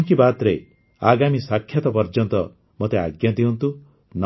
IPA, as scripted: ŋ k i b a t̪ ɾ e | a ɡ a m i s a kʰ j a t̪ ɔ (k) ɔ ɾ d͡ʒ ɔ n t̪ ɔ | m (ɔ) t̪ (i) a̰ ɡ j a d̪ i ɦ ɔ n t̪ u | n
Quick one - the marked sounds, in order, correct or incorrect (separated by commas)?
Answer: incorrect, incorrect, incorrect